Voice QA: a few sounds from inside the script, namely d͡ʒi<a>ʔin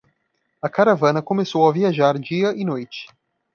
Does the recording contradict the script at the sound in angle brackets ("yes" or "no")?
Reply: yes